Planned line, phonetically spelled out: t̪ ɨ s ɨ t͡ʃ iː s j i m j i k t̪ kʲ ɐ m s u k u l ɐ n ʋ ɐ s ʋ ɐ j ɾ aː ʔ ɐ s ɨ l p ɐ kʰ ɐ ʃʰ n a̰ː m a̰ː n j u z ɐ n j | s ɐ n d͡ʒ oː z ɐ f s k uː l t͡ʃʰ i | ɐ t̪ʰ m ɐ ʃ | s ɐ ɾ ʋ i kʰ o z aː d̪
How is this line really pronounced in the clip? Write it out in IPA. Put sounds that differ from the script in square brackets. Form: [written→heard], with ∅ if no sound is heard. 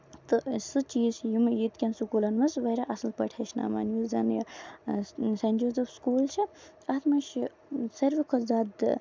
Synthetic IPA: t̪ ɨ s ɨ t͡ʃ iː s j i m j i [k→∅] t̪ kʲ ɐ [m→n] s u k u l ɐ n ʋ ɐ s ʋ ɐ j ɾ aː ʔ ɐ s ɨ l p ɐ [kʰ→ʈʰ] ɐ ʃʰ n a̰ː m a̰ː n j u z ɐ n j | s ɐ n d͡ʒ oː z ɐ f s k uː l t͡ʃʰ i | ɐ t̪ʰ m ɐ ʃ | s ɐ ɾ ʋ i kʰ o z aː d̪